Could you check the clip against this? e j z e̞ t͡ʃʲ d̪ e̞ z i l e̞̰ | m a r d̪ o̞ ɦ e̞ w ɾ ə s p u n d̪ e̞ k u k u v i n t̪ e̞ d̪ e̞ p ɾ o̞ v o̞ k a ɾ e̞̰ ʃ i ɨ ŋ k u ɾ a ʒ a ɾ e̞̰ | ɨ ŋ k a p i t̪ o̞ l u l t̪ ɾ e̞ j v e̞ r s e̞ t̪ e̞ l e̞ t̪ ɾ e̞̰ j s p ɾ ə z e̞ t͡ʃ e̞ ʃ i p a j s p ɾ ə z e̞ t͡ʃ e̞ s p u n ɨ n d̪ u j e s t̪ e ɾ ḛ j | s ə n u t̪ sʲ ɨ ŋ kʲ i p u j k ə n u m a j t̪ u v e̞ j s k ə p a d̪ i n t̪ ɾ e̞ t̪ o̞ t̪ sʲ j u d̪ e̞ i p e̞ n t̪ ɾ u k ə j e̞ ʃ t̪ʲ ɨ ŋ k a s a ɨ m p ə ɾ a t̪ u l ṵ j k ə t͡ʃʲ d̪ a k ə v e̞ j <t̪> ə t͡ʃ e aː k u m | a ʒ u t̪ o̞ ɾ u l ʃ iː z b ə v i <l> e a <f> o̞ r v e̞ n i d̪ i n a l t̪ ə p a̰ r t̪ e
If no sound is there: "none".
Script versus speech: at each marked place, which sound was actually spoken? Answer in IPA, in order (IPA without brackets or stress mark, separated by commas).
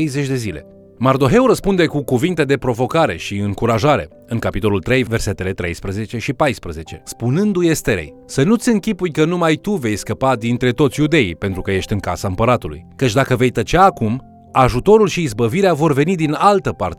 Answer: t̪, ɾ, v